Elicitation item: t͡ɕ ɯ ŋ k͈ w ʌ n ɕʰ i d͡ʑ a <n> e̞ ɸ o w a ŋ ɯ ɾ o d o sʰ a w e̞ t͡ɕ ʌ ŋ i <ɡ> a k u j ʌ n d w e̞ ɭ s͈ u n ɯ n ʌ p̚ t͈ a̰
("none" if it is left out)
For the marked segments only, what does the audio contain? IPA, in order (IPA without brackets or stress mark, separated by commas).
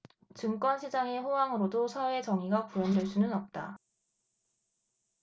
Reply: ŋ, ɡ